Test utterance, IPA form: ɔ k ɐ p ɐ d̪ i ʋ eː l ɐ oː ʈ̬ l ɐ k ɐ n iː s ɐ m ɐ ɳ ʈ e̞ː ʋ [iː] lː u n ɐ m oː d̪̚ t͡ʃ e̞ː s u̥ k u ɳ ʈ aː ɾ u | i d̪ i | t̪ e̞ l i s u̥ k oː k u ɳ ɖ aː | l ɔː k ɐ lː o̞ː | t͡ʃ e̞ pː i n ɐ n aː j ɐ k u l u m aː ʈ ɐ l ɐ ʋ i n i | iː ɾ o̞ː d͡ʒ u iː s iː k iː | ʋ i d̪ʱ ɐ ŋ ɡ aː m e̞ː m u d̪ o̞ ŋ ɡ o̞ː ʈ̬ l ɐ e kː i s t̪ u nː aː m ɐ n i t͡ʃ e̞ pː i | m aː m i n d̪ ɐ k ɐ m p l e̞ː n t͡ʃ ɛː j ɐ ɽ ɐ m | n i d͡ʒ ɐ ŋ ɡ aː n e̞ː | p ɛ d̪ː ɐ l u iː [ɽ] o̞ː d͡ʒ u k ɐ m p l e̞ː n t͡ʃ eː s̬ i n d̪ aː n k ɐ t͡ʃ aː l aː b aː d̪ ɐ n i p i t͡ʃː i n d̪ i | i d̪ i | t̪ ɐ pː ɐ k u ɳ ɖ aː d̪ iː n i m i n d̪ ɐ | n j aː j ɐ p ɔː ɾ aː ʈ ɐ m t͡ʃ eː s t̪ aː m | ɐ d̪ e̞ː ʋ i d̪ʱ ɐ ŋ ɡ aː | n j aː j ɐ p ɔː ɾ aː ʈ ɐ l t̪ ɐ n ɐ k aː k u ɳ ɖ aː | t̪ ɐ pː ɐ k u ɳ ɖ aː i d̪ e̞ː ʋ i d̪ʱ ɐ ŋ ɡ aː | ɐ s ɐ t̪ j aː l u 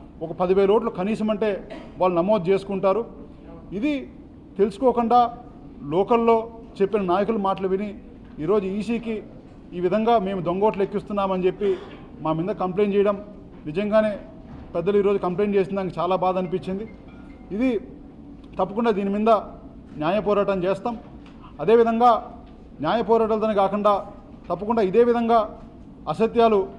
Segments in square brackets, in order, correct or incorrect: incorrect, incorrect

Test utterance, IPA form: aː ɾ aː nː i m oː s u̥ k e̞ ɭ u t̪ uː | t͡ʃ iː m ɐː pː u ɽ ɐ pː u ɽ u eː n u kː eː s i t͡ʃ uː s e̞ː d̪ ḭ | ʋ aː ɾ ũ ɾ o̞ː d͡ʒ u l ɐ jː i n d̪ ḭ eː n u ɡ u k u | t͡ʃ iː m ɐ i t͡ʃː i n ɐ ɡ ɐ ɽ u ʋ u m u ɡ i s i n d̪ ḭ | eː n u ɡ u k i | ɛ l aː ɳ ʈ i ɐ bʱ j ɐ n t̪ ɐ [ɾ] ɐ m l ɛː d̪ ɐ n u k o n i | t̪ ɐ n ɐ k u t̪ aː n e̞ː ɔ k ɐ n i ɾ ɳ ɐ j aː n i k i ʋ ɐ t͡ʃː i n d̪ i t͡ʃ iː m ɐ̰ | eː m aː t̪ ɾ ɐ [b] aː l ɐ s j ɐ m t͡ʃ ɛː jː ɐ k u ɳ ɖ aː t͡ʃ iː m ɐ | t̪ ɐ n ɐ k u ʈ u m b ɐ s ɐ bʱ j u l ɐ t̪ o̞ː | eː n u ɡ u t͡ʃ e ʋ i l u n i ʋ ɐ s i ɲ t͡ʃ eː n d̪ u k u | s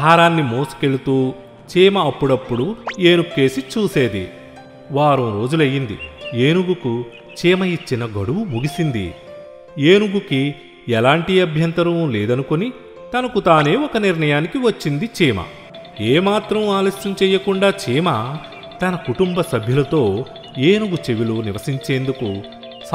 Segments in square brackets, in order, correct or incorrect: correct, incorrect

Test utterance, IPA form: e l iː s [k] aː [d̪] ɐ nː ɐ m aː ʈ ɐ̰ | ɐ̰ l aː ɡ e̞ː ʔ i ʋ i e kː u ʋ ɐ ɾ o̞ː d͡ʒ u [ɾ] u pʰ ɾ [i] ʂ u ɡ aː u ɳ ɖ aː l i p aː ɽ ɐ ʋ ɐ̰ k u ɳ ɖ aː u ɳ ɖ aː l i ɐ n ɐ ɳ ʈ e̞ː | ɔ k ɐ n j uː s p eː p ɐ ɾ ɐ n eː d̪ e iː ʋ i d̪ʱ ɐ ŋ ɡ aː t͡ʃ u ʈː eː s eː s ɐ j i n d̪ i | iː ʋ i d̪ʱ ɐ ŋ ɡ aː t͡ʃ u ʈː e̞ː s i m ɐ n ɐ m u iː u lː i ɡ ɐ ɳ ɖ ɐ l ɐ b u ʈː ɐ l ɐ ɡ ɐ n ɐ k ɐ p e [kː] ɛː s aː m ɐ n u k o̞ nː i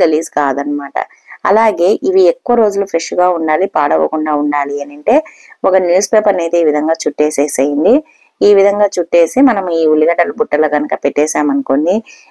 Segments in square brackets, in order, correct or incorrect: correct, correct, incorrect, incorrect, incorrect

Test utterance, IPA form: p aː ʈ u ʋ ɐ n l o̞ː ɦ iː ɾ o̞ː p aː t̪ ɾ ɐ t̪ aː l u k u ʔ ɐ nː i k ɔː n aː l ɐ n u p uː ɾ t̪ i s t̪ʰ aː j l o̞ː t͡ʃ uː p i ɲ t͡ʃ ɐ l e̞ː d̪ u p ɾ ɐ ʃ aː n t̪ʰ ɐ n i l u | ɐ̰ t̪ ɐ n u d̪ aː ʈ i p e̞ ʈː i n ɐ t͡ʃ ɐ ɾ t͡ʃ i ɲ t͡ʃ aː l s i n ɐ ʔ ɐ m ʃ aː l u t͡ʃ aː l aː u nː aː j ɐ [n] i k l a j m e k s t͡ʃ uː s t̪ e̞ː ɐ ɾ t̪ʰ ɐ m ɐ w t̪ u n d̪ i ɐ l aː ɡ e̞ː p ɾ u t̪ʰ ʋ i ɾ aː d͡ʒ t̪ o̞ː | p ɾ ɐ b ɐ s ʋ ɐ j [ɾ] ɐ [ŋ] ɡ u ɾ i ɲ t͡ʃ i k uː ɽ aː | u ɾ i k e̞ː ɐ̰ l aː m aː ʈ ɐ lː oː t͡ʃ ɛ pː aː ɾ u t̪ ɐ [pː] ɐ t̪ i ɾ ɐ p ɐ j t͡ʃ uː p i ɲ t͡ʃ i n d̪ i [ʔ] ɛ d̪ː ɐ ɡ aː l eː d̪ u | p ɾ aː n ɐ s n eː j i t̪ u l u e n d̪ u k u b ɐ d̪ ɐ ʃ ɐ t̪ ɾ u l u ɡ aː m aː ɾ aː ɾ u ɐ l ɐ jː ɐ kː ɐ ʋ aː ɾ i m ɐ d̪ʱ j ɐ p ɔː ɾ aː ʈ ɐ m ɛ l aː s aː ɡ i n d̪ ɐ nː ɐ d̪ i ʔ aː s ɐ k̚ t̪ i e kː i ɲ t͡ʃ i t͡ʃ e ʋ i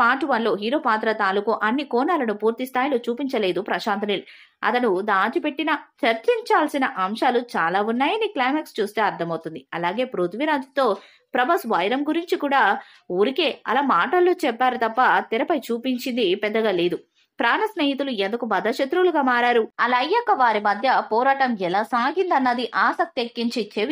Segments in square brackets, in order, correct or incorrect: correct, correct, incorrect, correct, incorrect

